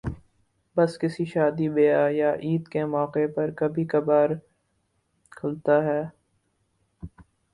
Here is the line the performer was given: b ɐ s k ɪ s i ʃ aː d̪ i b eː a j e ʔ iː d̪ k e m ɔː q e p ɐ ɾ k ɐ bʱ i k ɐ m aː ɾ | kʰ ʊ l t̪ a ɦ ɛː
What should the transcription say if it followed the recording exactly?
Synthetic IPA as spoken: b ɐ s k ɪ s i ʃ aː d̪ i b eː a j a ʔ iː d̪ k e m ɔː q e p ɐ ɾ k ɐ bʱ i k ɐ b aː ɾ | kʰ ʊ l t̪ a ɦ ɛː